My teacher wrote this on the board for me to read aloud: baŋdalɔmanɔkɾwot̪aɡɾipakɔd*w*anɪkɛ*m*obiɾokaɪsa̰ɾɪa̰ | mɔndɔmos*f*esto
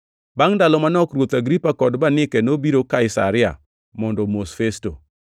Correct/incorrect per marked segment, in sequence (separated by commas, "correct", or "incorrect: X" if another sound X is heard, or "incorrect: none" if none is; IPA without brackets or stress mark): incorrect: b, incorrect: n, correct